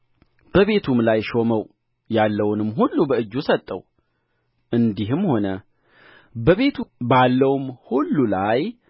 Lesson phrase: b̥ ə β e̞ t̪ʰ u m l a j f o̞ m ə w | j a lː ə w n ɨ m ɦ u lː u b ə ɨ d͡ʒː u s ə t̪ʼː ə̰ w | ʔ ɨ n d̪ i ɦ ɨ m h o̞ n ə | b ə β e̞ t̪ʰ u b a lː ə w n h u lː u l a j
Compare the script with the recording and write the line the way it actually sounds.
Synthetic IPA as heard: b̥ ə β e̞ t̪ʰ u m l a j ʃ o̞ m ə w | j a lː ə w n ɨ m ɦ u lː u b ə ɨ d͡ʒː u s ə t̪ʼː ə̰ w | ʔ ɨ n d̪ i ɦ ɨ m h o̞ n ə | b ə β e̞ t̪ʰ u b a lː ə w m h u lː u l a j